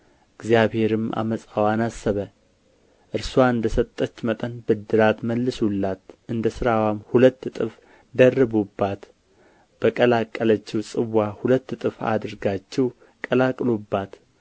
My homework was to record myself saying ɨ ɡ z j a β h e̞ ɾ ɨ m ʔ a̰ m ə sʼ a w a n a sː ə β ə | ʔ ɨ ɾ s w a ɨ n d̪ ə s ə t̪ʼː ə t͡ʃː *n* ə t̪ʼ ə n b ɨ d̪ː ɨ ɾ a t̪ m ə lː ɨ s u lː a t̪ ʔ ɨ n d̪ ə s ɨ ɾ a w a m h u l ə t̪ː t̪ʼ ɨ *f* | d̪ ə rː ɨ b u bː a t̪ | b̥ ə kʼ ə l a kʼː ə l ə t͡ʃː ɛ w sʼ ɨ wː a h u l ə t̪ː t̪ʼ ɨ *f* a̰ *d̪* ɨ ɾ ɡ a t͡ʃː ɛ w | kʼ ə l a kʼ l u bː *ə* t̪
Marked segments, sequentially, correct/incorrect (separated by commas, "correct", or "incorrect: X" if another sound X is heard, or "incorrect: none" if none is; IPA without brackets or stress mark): incorrect: m, correct, correct, correct, incorrect: a